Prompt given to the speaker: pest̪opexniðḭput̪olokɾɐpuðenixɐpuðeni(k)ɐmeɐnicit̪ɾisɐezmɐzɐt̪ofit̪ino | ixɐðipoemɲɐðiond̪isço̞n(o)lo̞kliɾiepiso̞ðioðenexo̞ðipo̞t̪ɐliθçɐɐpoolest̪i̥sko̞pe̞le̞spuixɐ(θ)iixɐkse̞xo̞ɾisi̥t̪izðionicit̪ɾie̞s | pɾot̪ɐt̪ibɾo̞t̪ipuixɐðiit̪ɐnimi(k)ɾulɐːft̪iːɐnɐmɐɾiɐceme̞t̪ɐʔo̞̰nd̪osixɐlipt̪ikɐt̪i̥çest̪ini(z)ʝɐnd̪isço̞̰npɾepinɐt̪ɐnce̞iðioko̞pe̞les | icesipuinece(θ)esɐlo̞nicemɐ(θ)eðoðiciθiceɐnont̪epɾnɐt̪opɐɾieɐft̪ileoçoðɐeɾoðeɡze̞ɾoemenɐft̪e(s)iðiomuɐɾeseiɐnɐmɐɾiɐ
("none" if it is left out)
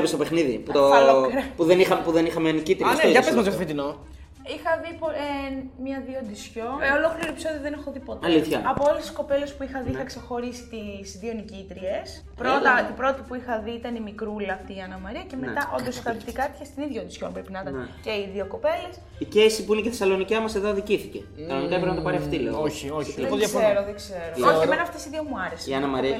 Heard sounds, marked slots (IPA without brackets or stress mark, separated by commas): x, o, ð, k, ð, θ, s, s